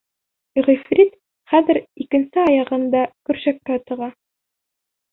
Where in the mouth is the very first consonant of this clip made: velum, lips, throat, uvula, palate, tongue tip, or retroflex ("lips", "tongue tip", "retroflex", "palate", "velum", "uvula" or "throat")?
uvula